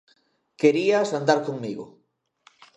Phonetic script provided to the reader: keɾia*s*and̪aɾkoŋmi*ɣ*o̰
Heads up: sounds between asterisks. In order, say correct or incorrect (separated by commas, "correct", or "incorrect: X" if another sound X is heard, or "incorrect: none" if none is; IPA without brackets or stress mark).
correct, correct